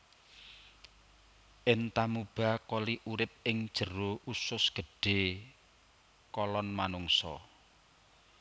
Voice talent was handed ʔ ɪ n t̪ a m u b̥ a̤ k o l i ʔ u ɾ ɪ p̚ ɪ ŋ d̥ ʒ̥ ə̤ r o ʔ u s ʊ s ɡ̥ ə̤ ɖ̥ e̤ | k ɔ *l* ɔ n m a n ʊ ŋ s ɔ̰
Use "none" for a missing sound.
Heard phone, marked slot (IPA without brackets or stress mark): l